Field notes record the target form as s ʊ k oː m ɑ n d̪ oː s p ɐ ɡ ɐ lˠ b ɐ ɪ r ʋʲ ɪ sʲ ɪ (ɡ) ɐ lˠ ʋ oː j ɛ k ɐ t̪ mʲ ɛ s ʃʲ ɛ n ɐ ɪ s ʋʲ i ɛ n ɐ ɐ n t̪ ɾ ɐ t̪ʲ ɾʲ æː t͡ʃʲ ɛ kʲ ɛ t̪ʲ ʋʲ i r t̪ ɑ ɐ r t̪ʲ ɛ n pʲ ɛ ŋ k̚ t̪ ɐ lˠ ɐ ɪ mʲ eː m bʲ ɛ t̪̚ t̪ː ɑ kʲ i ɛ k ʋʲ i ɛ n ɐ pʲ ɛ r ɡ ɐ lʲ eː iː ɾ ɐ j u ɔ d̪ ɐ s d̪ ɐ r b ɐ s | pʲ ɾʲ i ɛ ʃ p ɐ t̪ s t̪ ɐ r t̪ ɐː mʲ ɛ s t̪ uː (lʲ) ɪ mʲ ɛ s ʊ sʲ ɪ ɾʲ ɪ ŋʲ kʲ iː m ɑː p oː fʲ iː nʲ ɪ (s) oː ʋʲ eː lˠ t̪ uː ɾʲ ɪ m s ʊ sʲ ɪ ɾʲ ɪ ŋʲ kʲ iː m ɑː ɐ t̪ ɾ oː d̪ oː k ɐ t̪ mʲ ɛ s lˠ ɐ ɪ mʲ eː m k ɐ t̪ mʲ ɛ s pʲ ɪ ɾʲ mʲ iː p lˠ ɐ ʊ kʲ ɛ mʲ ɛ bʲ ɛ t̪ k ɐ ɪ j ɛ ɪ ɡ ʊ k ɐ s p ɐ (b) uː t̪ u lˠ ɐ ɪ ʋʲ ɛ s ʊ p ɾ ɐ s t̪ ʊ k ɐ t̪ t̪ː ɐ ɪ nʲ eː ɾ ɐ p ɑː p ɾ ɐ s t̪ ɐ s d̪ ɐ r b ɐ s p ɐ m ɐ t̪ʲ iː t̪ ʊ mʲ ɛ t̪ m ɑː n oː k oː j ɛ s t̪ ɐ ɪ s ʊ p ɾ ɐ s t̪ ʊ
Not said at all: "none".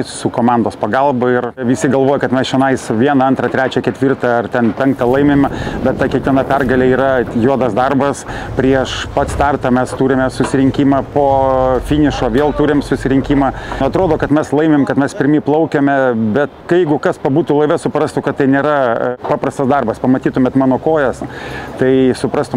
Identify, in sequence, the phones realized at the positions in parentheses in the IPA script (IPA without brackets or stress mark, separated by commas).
ɡ, ɾʲ, ʃ, b